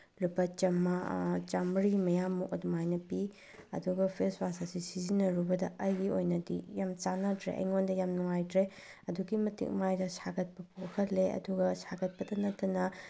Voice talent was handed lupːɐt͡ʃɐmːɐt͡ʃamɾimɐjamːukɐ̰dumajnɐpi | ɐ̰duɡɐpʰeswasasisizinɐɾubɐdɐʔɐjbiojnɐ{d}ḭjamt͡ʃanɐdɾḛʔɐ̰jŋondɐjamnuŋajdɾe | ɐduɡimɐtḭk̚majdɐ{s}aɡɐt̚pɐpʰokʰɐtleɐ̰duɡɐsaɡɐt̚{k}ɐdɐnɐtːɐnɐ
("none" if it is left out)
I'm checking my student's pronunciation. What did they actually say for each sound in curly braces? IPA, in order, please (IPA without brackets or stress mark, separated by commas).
d, s, p